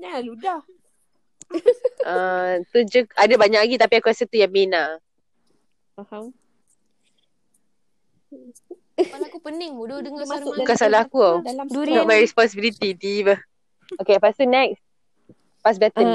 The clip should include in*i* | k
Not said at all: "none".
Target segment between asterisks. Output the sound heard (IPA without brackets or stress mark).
a